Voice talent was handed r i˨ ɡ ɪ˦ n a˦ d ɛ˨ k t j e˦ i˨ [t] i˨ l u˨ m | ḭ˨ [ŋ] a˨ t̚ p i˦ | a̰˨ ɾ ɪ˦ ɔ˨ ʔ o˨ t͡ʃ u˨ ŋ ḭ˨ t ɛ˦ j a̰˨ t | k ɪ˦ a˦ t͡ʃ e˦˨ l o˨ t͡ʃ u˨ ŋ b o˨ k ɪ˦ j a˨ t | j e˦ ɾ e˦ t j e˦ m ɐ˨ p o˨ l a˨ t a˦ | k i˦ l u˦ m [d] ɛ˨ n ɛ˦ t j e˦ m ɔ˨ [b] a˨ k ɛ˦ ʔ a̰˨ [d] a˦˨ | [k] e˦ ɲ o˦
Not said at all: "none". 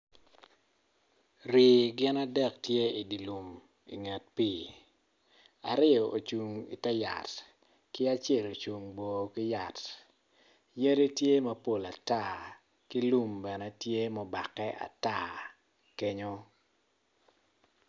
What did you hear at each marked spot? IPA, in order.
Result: d, ŋ, b, b, t, k

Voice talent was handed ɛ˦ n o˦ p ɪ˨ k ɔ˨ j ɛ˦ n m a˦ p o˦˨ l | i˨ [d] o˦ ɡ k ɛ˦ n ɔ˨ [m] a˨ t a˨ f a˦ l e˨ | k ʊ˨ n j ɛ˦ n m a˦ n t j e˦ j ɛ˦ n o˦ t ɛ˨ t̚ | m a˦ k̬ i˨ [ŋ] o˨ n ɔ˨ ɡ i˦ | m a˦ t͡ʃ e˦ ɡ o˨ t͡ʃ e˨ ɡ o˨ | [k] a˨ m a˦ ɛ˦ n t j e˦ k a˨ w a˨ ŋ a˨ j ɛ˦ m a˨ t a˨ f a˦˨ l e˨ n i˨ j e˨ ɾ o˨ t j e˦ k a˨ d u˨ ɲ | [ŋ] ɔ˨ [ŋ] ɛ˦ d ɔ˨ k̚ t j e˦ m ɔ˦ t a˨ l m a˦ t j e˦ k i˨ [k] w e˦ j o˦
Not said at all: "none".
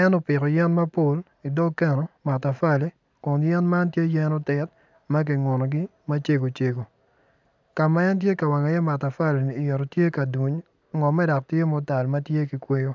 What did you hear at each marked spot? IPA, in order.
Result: d, m, ŋ, k, ŋ, m, k

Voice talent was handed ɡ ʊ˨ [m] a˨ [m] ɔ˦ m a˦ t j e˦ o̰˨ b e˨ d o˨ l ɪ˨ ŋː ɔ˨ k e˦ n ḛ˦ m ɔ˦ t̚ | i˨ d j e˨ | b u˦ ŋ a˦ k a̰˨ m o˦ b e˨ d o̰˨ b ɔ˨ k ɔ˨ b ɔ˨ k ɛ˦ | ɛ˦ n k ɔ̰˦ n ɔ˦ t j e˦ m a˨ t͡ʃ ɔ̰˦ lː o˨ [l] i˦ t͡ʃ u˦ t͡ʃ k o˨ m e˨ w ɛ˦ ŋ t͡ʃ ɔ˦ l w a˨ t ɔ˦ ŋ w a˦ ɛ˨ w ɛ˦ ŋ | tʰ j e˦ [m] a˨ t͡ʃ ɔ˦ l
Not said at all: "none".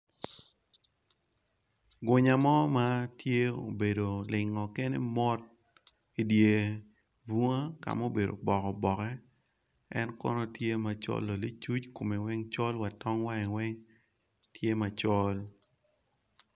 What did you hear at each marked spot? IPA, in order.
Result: ɲ, m, l, m

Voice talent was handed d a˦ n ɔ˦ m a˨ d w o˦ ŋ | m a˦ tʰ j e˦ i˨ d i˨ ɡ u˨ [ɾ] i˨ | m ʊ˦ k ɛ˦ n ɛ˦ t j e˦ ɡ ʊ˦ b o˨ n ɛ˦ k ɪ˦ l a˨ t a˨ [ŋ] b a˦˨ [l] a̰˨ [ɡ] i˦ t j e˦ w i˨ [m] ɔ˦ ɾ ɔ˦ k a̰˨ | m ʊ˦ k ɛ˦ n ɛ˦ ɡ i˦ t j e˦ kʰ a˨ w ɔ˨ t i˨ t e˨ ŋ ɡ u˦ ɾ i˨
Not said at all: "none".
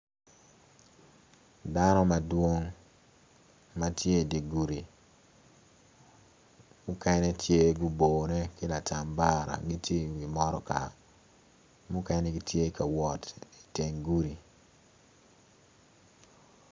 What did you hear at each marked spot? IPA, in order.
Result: ɾ, m, ɾ, ɡ, m

